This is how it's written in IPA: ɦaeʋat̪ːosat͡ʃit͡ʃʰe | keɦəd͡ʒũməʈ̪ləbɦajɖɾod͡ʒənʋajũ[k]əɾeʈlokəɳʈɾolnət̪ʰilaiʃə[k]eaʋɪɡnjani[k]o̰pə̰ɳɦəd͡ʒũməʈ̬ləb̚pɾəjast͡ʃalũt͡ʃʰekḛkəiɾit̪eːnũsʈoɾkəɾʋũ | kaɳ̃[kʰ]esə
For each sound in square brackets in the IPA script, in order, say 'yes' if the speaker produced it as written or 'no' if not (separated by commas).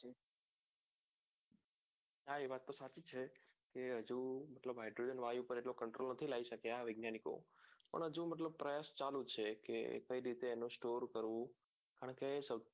no, yes, yes, no